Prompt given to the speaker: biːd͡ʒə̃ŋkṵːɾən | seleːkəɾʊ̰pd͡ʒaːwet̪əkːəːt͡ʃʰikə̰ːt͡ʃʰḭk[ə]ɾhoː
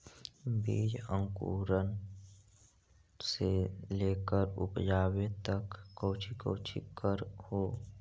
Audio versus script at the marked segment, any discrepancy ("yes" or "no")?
no